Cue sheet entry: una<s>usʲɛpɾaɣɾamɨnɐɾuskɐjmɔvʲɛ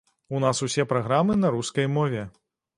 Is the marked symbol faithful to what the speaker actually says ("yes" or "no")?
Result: yes